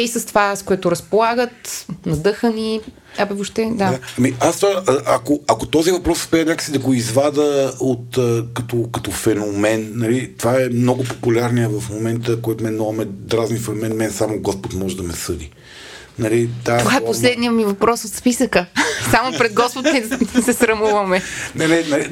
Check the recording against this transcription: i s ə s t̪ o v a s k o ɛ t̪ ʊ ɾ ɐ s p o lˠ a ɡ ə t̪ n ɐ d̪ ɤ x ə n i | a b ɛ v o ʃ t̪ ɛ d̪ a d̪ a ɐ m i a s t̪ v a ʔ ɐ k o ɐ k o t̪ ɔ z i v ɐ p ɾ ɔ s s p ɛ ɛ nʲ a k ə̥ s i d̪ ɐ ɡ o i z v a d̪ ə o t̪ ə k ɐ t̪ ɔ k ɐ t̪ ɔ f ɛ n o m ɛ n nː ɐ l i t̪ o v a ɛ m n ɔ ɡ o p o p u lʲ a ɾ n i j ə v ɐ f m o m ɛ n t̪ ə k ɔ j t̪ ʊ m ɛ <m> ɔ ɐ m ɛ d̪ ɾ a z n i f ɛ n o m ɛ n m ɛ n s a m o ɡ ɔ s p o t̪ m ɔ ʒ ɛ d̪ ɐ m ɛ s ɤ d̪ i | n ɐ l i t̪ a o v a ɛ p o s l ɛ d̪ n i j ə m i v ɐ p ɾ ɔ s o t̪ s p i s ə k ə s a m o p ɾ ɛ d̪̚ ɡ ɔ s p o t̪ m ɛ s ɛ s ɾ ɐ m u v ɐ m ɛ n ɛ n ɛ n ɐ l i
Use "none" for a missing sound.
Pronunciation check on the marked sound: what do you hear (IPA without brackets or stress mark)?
n